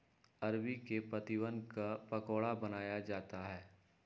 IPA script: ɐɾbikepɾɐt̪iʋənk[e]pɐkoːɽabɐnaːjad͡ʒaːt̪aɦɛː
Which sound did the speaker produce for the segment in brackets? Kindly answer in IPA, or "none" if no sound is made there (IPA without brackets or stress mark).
a